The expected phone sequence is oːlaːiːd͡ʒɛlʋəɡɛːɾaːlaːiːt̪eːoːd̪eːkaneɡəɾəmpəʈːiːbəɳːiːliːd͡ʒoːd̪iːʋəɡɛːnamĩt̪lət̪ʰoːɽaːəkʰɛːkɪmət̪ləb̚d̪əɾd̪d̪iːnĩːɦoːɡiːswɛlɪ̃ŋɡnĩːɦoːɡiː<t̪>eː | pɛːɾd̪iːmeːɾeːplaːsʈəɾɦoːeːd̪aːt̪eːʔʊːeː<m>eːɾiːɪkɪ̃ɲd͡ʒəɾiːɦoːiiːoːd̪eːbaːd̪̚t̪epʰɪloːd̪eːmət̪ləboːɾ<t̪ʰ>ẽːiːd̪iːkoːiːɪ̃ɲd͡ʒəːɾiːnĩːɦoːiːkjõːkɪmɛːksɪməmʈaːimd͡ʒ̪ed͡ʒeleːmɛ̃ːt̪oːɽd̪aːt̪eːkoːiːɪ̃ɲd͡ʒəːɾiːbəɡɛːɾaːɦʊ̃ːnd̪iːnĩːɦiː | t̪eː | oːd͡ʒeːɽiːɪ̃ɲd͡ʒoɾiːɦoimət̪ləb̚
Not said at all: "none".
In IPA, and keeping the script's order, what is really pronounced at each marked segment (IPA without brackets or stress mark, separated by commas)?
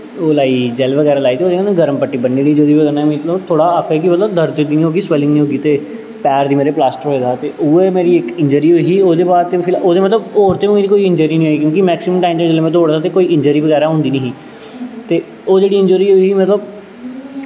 t̪, m, t̪